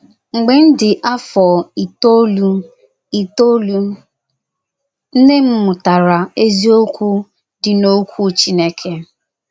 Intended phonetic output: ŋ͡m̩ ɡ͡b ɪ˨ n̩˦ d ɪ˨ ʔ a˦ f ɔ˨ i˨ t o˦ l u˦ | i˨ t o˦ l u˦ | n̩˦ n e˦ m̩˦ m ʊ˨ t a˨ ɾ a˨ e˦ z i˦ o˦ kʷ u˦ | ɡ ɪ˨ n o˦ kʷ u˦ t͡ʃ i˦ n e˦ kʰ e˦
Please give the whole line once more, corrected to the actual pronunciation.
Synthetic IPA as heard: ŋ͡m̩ ɡ͡b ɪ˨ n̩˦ d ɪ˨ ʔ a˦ f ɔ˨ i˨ t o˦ l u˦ | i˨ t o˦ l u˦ | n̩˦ n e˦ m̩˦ m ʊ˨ t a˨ ɾ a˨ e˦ z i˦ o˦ kʷ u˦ | d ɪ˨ n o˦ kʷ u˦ t͡ʃ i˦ n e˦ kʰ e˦